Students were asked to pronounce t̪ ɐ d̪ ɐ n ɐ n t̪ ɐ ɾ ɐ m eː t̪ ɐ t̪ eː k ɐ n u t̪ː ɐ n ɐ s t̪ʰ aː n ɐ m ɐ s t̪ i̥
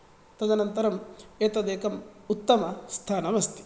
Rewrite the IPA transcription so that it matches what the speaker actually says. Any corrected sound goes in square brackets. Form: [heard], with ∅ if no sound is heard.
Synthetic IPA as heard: t̪ ɐ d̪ ɐ n ɐ n t̪ ɐ ɾ ɐ m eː t̪ ɐ [d̪] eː k ɐ [m] u t̪ː ɐ [m] ɐ s t̪ʰ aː n ɐ m ɐ s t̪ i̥